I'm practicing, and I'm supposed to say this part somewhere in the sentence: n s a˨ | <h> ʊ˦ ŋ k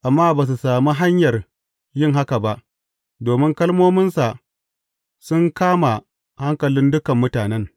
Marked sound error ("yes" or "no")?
yes